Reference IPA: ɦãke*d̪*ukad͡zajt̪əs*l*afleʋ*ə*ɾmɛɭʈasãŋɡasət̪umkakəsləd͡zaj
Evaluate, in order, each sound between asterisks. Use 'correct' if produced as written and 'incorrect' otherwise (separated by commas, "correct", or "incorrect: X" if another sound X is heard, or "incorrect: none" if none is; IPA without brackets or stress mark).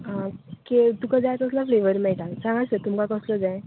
incorrect: t̪, correct, correct